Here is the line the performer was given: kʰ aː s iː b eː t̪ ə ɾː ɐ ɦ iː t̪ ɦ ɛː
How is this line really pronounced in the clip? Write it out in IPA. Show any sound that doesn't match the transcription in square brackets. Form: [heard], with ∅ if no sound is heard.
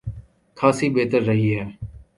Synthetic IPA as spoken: kʰ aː s iː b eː t̪ ə ɾː [ə] ɦ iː [∅] ɦ ɛː